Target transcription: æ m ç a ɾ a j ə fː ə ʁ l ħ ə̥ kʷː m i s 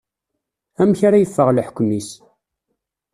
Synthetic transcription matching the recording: æ m ç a ɾ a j ə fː ə ʁ l ħ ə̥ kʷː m i s